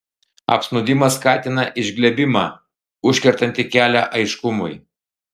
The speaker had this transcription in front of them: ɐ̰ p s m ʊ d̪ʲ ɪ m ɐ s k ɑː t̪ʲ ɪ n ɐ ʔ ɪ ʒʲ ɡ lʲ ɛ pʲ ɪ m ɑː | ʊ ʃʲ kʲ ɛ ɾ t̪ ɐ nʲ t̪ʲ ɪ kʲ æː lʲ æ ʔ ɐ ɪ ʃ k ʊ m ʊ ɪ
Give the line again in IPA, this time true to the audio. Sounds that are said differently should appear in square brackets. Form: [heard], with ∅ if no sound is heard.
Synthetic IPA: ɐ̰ p s [n] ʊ d̪ʲ ɪ m ɐ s k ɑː t̪ʲ ɪ n ɐ ʔ ɪ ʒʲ ɡ lʲ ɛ [bʲ] ɪ m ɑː | ʊ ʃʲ kʲ ɛ ɾ t̪ ɐ nʲ t̪ʲ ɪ kʲ æː lʲ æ ʔ ɐ ɪ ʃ k ʊ m ʊ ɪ